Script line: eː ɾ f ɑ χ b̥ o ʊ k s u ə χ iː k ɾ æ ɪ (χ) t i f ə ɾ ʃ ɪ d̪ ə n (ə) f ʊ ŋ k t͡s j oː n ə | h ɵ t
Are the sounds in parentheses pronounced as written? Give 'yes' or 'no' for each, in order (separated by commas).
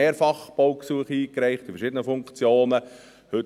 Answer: yes, yes